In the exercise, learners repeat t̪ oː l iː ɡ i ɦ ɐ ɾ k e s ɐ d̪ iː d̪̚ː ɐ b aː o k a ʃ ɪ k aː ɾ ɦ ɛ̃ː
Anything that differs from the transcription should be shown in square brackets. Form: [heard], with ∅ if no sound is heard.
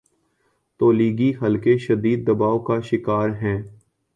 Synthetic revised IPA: t̪ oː l iː ɡ i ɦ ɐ [l] k e [ʃ] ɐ d̪ iː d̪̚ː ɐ b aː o k a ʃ ɪ k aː ɾ ɦ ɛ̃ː